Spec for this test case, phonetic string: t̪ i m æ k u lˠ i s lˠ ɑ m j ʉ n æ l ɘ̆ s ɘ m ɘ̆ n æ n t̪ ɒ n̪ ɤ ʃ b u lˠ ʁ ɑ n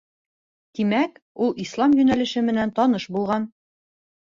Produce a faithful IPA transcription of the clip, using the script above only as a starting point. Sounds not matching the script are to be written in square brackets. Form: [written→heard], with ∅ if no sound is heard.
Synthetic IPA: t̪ i m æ k u lˠ i s lˠ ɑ m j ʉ n æ l ɘ̆ [s→ʃ] ɘ m ɘ̆ n æ n t̪ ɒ n̪ ɤ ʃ b u lˠ ʁ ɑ n

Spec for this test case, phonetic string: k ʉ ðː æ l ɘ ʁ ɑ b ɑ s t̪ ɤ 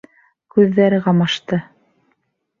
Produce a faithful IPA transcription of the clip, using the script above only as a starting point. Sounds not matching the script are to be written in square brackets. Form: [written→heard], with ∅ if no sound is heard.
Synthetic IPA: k ʉ ðː æ [l→ɾ] ɘ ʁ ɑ [b→m] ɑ [s→ʃ] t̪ ɤ

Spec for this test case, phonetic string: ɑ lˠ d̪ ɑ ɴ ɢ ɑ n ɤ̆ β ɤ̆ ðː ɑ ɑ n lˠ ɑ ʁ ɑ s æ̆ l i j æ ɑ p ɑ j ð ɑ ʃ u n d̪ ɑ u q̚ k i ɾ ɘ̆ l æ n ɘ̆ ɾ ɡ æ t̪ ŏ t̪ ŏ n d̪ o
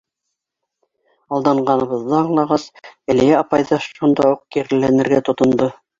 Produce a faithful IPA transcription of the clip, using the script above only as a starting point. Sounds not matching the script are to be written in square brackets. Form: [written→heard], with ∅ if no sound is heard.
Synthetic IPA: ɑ lˠ d̪ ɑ ɴ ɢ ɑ n ɤ̆ β ɤ̆ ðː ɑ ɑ [n→ɴ] lˠ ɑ ʁ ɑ s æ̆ l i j æ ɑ p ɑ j ð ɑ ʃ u n d̪ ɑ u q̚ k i ɾ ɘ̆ l æ n ɘ̆ ɾ ɡ æ t̪ ŏ t̪ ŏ n d̪ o

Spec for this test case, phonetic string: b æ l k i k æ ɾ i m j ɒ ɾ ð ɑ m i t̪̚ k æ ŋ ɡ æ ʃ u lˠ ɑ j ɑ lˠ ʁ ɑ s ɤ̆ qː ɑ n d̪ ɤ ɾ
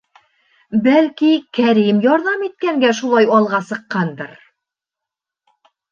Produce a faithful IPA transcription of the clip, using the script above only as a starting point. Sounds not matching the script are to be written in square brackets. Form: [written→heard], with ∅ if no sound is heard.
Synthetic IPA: b æ l k i k æ ɾ i m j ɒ ɾ ð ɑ m i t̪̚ k æ ŋ ɡ æ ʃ u lˠ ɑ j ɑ lˠ ʁ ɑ s ɤ̆ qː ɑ n d̪ ɤ ɾ

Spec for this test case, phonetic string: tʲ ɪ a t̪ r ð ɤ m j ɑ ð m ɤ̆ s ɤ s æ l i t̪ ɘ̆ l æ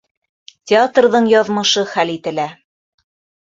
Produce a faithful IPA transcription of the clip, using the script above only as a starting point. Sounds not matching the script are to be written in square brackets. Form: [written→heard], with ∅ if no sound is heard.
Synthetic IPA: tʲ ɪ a t̪ r ð ɤ [m→ɴ] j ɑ ð m ɤ̆ [s→ʃ] ɤ [s→χ] æ l i t̪ ɘ̆ l æ

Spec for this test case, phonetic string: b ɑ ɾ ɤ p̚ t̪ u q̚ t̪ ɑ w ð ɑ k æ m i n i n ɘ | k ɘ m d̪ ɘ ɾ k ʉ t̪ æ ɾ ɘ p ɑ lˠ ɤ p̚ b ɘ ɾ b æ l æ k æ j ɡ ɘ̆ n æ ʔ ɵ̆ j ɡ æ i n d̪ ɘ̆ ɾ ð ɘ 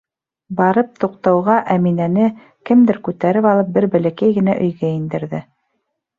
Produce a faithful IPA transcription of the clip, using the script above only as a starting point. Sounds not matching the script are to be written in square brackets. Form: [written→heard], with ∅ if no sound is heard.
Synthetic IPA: b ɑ ɾ ɤ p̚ t̪ u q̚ t̪ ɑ w [ð→ʁ] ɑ [k→ʔ] æ m i n [i→æ] n ɘ | k ɘ m d̪ ɘ ɾ k ʉ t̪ æ ɾ ɘ p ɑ lˠ ɤ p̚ b ɘ ɾ b æ l æ k æ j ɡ ɘ̆ n æ ʔ ɵ̆ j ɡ æ i n d̪ ɘ̆ ɾ ð ɘ

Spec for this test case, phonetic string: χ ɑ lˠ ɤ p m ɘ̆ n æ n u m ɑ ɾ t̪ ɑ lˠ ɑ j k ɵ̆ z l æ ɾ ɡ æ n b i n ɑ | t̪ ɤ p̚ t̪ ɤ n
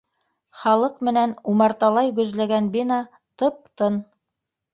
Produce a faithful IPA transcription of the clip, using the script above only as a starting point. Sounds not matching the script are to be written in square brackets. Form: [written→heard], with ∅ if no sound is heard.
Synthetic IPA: χ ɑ lˠ ɤ [p→q] m ɘ̆ n æ n u m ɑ ɾ t̪ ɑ lˠ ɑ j [k→ɡ] ɵ̆ z l æ [ɾ→∅] ɡ æ n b i n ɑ | t̪ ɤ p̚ t̪ ɤ n

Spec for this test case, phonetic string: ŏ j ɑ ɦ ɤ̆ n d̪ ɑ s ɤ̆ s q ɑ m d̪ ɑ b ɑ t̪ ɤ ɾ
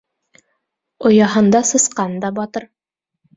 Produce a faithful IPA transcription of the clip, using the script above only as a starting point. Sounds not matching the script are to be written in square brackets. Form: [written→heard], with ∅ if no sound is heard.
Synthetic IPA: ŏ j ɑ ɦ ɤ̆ n d̪ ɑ s ɤ̆ s q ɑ [m→n] d̪ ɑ b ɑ t̪ ɤ ɾ

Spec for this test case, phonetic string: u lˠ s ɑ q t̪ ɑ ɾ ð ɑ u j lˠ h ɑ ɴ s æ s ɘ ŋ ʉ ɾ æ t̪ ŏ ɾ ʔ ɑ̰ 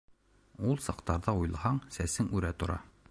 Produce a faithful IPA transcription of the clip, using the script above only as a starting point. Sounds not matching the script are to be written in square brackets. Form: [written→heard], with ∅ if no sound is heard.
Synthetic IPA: u lˠ s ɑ q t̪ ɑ ɾ ð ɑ u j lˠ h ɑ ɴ s æ s ɘ ŋ ʉ ɾ æ t̪ ŏ ɾ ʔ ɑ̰

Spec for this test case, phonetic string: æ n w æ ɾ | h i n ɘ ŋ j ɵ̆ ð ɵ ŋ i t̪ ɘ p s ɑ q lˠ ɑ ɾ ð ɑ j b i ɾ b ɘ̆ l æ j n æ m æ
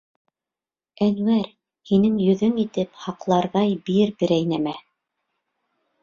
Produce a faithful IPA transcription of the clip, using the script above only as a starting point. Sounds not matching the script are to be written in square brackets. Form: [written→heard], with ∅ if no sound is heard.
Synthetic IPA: æ n w æ ɾ | h i n ɘ ŋ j ɵ̆ ð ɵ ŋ i t̪ ɘ p [s→h] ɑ q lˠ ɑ ɾ ð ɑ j b i ɾ b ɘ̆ [l→ɾ] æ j n æ m æ

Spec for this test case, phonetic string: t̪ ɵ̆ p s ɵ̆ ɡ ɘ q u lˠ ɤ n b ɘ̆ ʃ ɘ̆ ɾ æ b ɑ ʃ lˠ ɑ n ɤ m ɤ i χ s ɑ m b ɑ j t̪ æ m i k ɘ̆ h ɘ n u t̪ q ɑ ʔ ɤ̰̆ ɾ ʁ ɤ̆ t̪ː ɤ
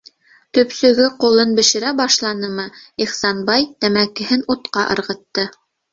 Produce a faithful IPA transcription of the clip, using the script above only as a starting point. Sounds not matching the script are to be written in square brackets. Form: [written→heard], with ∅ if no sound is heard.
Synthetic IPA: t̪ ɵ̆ p s ɵ̆ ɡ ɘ q u lˠ ɤ n b ɘ̆ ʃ ɘ̆ ɾ æ b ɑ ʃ lˠ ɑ n ɤ m ɤ i χ s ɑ [m→n] b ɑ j t̪ æ m [i→æ] k ɘ̆ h ɘ n u t̪ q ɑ ʔ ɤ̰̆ ɾ ʁ ɤ̆ t̪ː ɤ

